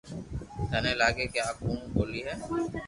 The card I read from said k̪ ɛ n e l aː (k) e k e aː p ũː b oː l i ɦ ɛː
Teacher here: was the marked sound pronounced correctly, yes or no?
no